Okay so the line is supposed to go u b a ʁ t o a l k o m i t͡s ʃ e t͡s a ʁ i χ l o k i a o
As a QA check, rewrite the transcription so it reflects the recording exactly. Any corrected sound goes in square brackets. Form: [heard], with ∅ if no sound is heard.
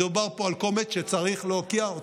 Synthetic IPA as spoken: u b a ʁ [p] o a l k o m [e] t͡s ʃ e t͡s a ʁ i χ l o k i a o